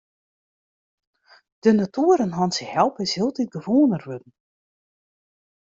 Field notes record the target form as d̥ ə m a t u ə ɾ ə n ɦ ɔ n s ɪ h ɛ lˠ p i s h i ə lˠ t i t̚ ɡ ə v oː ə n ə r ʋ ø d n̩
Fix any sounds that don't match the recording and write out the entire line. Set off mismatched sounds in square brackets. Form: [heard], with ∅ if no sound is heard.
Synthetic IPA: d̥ ə [n] a t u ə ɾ ə n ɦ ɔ n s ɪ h ɛ lˠ p [ɪ] s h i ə lˠ t i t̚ ɡ ə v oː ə n ə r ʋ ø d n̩